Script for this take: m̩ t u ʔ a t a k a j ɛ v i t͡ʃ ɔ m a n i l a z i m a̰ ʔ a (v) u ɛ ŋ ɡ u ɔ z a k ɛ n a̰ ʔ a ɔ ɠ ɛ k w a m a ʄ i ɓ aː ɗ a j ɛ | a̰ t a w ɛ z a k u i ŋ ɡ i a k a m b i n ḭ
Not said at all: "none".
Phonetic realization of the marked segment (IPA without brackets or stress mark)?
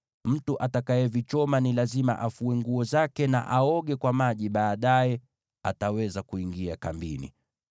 f